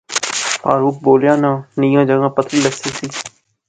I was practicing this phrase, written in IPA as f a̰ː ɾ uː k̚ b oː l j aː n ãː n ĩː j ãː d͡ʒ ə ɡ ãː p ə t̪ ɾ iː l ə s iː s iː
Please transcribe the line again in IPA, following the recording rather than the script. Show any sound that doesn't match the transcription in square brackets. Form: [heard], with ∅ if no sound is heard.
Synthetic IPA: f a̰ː ɾ uː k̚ b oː l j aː n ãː n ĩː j ãː d͡ʒ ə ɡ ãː p ə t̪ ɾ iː l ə s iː s iː